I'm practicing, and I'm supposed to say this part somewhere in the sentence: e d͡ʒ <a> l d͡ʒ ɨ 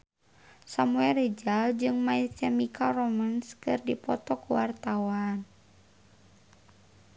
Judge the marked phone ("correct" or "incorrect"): correct